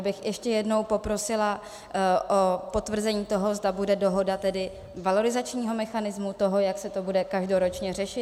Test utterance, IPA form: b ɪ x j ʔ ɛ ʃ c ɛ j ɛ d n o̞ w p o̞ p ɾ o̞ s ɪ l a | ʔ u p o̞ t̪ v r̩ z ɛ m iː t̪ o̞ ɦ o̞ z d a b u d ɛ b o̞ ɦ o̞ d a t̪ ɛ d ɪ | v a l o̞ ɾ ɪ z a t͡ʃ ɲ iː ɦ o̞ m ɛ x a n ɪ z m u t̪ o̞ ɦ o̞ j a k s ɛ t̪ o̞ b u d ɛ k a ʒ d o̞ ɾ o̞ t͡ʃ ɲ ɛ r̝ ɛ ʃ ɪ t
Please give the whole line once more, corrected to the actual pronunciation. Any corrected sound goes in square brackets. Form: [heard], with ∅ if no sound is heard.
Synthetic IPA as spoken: b ɪ x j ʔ ɛ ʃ c ɛ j ɛ d n o̞ w p o̞ p ɾ o̞ s ɪ l a | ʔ [o] p o̞ t̪ v r̩ z ɛ [ɲ] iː t̪ o̞ ɦ o̞ z d a b u d ɛ [d] o̞ ɦ o̞ d a t̪ ɛ d ɪ | v a l o̞ ɾ ɪ z a t͡ʃ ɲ iː ɦ o̞ m ɛ x a n ɪ z m u t̪ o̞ ɦ o̞ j a k s ɛ t̪ o̞ b u d ɛ k a ʒ d o̞ ɾ o̞ t͡ʃ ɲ ɛ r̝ ɛ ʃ ɪ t